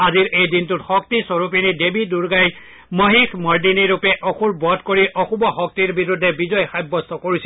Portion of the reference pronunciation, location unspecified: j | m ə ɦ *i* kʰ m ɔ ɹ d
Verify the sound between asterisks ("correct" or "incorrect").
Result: correct